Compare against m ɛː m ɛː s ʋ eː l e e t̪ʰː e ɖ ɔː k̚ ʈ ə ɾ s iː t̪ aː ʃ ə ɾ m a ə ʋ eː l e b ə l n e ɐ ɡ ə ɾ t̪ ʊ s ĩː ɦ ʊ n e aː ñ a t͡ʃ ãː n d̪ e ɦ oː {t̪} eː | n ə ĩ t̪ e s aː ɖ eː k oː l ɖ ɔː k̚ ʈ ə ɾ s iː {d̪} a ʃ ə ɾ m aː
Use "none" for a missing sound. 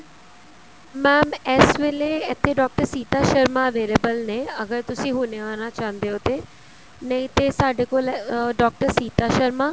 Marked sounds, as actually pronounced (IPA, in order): t̪, t̪

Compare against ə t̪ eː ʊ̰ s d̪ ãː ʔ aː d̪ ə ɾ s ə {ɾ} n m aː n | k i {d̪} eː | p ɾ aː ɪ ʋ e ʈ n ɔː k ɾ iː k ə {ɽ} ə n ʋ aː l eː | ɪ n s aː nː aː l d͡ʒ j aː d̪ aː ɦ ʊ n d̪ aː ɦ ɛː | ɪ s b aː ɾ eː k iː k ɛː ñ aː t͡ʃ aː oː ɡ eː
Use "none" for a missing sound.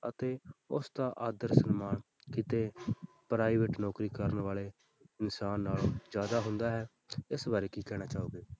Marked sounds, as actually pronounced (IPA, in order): none, t̪, ɾ

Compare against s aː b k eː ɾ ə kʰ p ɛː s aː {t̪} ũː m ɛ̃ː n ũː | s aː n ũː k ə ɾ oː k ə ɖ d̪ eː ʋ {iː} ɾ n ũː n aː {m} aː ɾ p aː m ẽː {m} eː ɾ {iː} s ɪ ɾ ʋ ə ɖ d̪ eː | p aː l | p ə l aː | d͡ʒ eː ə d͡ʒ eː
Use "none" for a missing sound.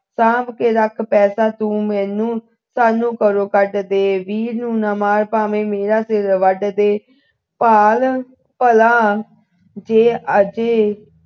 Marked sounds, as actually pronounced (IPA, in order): t̪, iː, m, m, aː

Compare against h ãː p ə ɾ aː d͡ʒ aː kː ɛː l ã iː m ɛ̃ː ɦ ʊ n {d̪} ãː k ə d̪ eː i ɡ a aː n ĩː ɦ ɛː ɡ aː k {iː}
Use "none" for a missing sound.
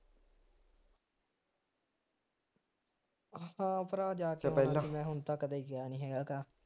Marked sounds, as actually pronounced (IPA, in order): t̪, aː

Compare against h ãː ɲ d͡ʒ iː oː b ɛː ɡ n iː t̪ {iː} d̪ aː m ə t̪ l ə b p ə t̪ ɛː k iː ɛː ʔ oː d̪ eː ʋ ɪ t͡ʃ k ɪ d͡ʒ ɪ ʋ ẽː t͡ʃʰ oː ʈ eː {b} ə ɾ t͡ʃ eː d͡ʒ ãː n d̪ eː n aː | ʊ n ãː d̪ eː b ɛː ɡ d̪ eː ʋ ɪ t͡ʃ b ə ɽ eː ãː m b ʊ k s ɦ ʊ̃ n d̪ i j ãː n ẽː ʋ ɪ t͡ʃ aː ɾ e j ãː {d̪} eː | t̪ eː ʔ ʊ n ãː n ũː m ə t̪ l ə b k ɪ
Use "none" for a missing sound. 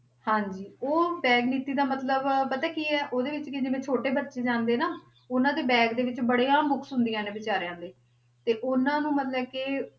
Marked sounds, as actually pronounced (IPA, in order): iː, b, d̪

